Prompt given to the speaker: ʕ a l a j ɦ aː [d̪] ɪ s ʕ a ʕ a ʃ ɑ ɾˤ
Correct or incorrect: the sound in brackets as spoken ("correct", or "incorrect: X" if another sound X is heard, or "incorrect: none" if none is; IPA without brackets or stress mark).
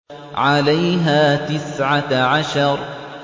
incorrect: t̪